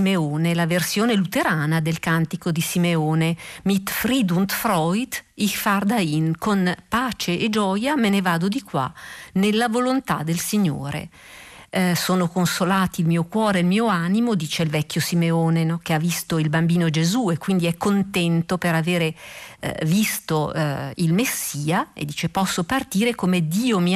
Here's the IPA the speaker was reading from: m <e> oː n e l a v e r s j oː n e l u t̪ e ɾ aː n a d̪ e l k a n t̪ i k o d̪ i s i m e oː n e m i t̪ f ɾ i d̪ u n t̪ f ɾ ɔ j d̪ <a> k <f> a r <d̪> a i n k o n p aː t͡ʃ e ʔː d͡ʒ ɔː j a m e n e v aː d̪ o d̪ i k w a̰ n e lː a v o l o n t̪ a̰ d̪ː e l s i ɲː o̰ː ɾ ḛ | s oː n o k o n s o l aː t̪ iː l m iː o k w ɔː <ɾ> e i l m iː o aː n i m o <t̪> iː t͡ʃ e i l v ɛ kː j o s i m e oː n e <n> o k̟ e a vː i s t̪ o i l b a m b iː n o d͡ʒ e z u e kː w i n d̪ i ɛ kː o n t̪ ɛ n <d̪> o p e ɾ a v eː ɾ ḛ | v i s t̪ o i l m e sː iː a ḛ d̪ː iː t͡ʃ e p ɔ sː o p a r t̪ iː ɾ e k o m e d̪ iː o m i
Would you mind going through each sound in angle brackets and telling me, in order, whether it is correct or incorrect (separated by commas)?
correct, incorrect, correct, correct, correct, incorrect, correct, incorrect